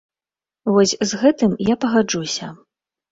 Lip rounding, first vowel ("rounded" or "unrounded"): rounded